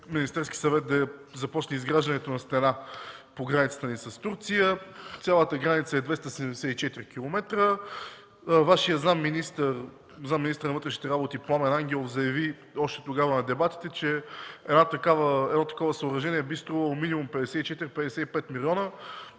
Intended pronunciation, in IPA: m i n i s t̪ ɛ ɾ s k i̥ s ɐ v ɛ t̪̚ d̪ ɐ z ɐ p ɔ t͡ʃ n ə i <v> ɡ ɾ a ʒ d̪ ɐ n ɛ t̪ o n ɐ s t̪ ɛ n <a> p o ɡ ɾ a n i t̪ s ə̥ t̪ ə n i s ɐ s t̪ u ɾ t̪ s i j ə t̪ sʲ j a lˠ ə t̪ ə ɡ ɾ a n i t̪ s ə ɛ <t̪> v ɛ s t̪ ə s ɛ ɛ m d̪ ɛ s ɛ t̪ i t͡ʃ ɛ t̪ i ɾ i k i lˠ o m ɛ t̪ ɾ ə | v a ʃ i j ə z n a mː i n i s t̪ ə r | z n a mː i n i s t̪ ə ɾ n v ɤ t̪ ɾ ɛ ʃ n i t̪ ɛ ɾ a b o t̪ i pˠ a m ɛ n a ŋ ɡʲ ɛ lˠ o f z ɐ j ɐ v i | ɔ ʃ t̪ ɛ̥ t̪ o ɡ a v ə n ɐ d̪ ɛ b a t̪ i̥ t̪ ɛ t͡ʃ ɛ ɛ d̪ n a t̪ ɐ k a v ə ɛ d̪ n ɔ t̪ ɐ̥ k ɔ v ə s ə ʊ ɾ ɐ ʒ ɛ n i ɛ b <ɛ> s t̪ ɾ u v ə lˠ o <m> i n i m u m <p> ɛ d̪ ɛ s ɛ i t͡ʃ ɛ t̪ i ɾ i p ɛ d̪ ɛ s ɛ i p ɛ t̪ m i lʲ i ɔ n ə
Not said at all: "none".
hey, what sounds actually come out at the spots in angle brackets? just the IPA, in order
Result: z, a, d̪, i, m, p

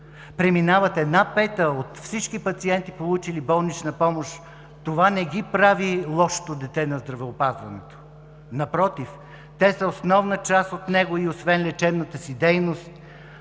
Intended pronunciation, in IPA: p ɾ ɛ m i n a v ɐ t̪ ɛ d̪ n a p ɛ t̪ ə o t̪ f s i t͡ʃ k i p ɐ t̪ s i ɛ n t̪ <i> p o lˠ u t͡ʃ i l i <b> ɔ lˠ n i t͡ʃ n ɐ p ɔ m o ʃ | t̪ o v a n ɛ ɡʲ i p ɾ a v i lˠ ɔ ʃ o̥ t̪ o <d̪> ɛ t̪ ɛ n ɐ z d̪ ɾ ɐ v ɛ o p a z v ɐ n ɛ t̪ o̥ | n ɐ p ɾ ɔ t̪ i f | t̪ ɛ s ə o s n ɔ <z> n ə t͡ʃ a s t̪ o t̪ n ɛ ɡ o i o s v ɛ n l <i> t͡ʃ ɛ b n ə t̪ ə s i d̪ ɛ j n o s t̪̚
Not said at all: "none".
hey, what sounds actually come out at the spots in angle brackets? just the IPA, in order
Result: i, b, d̪, v, ɛ

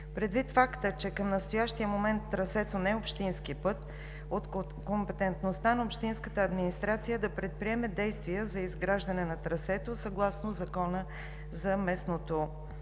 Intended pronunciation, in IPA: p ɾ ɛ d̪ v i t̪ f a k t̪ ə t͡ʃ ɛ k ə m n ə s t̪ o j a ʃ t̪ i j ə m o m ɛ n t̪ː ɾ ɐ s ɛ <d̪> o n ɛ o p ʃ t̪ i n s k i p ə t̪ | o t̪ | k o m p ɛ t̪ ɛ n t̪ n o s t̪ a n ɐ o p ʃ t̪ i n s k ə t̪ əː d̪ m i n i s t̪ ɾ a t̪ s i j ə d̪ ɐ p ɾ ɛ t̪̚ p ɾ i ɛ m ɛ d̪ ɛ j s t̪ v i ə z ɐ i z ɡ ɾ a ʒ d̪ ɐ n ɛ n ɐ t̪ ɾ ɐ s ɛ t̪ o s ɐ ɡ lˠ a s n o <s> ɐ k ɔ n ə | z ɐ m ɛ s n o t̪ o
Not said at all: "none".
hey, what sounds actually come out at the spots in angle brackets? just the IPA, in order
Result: t̪, z

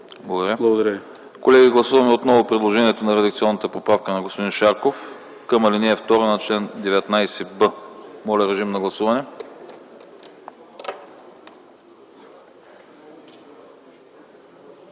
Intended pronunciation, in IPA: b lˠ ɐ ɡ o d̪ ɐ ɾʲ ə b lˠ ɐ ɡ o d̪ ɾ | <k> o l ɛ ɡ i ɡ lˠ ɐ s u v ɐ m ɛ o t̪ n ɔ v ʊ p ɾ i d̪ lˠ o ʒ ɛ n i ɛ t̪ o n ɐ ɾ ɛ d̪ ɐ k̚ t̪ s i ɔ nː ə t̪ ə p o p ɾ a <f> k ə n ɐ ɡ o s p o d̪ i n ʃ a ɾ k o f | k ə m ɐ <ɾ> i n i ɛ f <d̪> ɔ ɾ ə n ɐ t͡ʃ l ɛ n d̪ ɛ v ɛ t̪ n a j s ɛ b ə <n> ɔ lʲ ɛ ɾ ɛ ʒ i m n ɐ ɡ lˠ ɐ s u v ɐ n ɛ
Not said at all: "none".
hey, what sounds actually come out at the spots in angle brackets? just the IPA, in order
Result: k, f, l, t̪, m

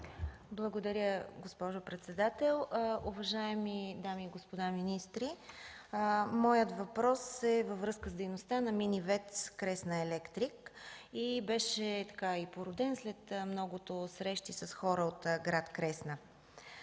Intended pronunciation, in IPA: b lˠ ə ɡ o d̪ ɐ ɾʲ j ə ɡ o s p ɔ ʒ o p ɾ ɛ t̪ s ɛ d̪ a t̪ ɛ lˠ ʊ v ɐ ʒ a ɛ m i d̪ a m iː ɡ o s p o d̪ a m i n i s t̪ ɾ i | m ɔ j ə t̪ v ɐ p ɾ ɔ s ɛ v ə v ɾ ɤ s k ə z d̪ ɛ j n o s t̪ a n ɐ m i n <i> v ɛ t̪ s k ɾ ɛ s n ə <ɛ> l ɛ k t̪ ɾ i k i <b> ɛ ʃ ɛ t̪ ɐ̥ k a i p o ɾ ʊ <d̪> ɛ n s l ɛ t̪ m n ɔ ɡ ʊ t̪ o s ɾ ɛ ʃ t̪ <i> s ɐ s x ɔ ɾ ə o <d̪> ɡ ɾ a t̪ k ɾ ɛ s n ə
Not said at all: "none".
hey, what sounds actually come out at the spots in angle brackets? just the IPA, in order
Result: i, ɛ, b, d̪, i, t̪

